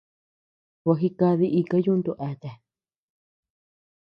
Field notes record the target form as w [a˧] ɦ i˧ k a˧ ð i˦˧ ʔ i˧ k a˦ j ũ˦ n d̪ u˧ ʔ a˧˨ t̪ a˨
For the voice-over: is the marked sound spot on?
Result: yes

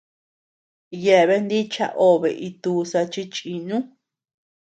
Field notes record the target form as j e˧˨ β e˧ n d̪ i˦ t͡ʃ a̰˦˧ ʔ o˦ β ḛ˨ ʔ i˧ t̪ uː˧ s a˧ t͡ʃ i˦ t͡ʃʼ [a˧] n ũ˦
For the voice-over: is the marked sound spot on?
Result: no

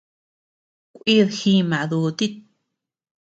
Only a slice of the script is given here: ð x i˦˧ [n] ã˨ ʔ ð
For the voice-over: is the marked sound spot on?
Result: no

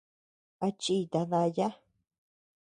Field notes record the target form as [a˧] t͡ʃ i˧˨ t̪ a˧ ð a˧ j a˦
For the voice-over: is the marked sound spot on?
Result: yes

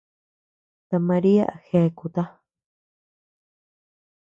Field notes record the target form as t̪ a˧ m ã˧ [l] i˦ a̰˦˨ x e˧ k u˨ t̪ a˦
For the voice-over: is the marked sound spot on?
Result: no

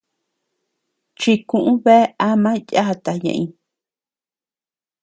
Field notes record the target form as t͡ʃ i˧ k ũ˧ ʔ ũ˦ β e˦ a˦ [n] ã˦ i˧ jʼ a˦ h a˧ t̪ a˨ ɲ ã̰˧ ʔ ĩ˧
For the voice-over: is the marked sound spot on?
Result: no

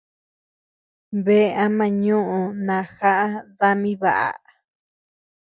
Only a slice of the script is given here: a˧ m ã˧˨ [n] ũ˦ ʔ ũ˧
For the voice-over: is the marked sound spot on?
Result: no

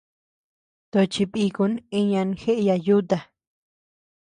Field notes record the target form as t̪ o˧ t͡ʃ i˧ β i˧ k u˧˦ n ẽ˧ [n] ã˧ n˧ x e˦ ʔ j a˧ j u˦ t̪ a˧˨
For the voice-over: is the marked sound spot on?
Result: no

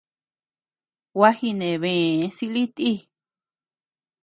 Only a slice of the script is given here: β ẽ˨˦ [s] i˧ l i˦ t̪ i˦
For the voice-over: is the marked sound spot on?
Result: yes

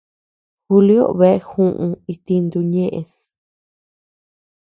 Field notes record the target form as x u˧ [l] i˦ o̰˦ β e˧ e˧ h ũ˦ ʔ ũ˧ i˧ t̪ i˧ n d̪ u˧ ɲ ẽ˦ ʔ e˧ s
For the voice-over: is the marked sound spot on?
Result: yes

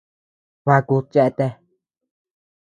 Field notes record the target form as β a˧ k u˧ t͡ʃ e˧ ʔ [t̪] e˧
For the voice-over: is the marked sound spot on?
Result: yes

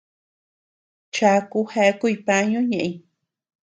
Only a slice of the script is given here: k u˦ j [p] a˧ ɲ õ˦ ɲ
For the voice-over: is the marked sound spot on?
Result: yes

